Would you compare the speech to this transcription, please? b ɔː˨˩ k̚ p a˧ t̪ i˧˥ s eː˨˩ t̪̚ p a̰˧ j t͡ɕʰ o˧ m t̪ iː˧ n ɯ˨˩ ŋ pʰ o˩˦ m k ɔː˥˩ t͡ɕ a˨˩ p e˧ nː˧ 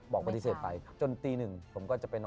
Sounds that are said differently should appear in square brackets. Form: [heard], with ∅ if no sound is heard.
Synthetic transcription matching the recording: b ɔː˨˩ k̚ p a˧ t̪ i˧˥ s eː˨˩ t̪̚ p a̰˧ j [t͡ɕ] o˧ [n] t̪ iː˧ n ɯ˨˩ ŋ pʰ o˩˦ m k ɔː˥˩ t͡ɕ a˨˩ p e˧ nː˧